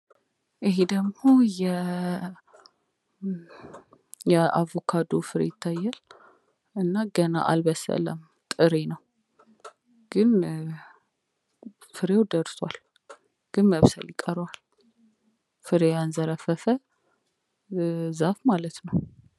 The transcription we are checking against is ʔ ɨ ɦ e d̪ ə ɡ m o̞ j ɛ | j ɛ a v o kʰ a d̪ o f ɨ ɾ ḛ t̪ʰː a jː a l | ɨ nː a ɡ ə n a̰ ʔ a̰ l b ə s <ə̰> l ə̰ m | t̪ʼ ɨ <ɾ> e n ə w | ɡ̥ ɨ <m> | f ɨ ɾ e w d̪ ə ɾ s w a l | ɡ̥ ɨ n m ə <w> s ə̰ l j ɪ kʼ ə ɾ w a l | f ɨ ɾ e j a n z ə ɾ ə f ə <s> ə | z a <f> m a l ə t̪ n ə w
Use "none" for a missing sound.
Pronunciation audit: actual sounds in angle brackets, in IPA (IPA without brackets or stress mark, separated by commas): ə̰, ɾ, n, β, f, f